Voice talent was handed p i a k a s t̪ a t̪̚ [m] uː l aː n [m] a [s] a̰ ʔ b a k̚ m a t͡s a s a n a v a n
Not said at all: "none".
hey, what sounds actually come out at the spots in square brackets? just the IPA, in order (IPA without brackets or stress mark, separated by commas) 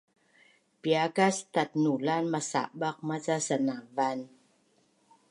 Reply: n, m, s